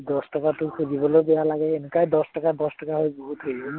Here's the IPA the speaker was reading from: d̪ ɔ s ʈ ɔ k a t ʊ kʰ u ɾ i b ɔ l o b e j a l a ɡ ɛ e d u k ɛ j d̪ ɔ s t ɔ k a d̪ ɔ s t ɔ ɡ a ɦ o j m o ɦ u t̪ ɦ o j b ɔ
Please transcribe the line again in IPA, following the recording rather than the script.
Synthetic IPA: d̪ ɔ s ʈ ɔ k a t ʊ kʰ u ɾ i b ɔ l o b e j a l a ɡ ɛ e n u k a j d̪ ɔ s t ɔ k a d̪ ɔ s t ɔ k a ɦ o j b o ɦ u t̪ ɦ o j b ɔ